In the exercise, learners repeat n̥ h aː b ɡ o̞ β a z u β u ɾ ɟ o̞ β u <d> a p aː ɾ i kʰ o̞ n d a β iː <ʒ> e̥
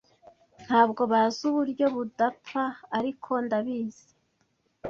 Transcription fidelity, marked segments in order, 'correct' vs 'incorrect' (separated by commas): correct, incorrect